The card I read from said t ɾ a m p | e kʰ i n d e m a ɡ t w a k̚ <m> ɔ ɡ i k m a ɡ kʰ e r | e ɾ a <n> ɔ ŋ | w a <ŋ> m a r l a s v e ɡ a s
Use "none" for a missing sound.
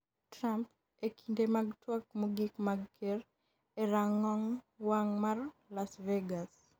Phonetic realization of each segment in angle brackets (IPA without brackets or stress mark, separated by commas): m, ŋ, ŋ